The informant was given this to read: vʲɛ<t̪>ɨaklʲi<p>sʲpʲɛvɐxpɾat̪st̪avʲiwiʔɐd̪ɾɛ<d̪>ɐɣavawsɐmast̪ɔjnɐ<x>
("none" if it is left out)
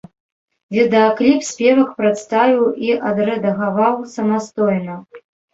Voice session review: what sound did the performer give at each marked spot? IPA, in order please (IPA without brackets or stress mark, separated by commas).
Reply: d̪, p, d̪, none